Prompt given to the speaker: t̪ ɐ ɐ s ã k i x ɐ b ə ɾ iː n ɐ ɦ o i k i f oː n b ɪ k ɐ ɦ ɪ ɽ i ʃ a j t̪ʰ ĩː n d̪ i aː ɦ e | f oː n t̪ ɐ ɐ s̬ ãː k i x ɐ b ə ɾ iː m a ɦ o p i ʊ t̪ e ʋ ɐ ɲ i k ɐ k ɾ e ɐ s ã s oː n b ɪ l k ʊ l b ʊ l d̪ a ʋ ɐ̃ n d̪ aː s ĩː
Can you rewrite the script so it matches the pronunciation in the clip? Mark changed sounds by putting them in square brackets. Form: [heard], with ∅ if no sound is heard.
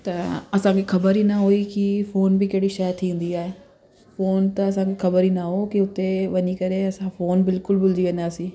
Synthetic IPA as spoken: t̪ ɐ ɐ s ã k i x ɐ b ə ɾ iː n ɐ ɦ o i k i f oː n b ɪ k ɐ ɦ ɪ ɽ i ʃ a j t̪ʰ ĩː n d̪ i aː ɦ e | f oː n t̪ ɐ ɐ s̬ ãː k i x ɐ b ə ɾ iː [n] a ɦ o [k] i ʊ t̪ e ʋ ɐ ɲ i k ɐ [∅] ɾ e ɐ s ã [f] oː n b ɪ l k ʊ l b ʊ l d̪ [i] ʋ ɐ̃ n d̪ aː s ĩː